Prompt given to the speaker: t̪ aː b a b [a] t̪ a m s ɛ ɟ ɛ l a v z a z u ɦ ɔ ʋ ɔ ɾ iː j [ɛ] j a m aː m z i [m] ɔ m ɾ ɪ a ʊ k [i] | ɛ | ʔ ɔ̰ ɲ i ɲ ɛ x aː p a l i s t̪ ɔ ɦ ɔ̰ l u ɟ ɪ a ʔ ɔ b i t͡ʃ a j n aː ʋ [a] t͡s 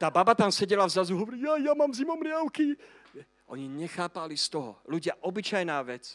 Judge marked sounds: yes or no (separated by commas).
yes, no, yes, yes, no